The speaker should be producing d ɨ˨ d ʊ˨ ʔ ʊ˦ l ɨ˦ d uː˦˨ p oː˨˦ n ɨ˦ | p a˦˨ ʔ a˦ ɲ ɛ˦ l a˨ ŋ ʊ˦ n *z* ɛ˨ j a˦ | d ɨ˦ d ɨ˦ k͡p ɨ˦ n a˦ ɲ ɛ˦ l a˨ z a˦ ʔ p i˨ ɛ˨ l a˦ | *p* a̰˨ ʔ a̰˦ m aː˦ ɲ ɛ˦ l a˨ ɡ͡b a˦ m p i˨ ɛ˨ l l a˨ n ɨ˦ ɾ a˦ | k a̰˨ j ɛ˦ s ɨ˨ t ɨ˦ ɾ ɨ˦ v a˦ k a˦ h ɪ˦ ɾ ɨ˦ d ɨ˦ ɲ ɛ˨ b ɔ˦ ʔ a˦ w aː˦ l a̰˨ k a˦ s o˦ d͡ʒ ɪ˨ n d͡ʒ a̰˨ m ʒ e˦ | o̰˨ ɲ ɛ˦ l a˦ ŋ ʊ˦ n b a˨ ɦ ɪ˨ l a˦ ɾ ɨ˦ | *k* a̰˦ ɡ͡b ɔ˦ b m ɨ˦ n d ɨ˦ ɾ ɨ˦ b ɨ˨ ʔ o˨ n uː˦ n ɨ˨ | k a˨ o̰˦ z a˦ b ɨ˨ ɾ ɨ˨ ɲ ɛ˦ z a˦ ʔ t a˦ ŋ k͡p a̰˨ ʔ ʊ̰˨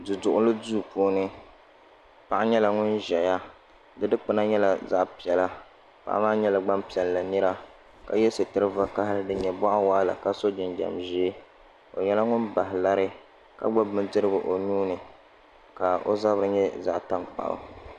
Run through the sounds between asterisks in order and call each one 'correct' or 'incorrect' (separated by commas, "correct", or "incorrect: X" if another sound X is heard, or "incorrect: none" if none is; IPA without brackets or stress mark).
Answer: incorrect: ʒ, correct, correct